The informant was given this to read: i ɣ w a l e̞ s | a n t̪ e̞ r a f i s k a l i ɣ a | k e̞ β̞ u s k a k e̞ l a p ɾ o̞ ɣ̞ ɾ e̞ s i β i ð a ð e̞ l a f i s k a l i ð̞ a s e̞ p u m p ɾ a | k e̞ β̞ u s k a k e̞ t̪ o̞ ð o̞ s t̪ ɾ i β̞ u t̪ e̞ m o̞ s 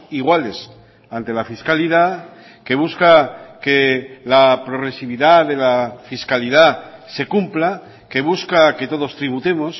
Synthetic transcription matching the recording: i ɣ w a l e̞ s | a n t̪ e̞ l a f i s k a l i ð a | k e̞ β̞ u s k a k e̞ l a p ɾ o̞ ɣ̞ ɾ e̞ s i β i ð a ð e̞ l a f i s k a l i ð̞ a s e̞ k u m p l a | k e̞ β̞ u s k a k e̞ t̪ o̞ ð o̞ s t̪ ɾ i β̞ u t̪ e̞ m o̞ s